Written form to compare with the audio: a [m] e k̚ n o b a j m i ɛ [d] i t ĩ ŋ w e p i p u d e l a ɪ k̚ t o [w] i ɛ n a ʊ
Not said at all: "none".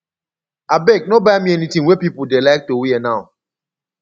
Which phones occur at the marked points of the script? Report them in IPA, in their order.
b, n, w

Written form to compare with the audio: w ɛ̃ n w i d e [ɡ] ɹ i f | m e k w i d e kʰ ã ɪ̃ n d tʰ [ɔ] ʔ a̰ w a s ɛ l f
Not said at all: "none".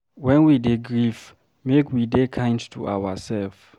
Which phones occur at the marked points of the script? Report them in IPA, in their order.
ɡ, u

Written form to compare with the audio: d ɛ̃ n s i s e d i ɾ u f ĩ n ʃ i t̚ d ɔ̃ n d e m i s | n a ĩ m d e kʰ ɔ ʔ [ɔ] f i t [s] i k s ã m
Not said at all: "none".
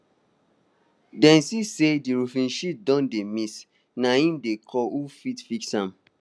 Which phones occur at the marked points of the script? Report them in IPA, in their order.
u, f

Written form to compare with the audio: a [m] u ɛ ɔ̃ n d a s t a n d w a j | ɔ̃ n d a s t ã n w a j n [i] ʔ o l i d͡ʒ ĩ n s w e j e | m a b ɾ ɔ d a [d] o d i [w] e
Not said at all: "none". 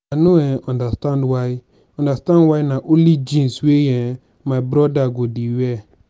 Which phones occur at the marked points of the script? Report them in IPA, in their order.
n, a, ɡ, w

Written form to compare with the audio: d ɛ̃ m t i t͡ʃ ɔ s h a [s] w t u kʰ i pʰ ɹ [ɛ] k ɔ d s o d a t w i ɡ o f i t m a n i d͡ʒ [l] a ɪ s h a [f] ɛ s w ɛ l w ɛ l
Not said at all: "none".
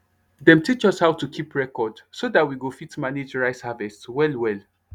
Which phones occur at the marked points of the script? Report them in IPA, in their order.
none, ɛ, ɹ, v

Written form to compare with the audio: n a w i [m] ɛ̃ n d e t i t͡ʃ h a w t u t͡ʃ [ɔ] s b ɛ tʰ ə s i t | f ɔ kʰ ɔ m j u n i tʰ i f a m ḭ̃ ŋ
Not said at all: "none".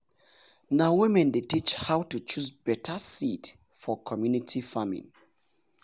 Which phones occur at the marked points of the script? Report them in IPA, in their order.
m, u

